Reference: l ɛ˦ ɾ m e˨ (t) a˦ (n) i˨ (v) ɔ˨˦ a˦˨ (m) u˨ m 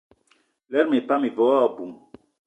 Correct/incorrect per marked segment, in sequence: incorrect: p, incorrect: m, correct, incorrect: b

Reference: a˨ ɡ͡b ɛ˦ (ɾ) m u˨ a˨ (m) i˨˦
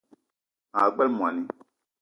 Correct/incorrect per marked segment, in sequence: incorrect: l, incorrect: n

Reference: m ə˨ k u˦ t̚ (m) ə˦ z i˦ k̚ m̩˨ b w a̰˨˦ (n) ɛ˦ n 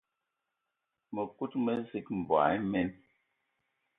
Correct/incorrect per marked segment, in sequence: correct, incorrect: m

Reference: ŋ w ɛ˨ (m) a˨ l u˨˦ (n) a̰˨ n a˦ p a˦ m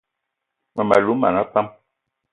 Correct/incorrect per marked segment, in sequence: correct, incorrect: m

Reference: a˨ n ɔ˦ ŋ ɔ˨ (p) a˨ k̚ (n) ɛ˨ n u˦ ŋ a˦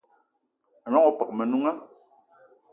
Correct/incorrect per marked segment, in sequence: correct, incorrect: m

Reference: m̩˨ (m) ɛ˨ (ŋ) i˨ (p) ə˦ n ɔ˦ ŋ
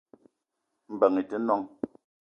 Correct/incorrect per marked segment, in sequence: incorrect: b, correct, incorrect: t

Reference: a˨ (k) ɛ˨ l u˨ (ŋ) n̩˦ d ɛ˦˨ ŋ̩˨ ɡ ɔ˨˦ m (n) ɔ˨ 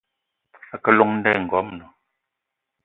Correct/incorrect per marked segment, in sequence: correct, correct, correct

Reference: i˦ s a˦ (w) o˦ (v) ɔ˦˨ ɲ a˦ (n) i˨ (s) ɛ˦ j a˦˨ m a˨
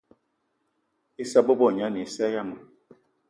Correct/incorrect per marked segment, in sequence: incorrect: b, incorrect: b, correct, correct

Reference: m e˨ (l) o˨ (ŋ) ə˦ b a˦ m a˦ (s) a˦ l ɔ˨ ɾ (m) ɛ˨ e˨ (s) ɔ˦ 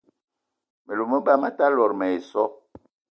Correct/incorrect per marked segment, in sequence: correct, incorrect: m, incorrect: t, correct, correct

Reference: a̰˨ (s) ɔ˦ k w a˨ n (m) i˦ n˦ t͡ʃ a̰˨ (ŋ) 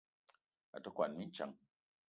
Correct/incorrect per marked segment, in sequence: incorrect: t, correct, correct

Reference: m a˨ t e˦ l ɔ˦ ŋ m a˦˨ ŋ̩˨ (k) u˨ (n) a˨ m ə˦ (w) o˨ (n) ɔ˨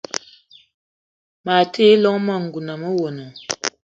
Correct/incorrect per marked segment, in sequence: incorrect: ɡ, correct, correct, correct

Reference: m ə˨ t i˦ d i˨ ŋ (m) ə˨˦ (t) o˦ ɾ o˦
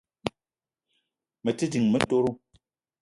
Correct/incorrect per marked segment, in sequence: correct, correct

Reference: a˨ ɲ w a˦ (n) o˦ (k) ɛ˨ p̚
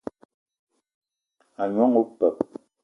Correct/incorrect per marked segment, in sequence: incorrect: ŋ, incorrect: p

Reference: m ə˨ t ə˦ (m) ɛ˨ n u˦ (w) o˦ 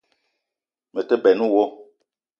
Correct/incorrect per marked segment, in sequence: incorrect: b, correct

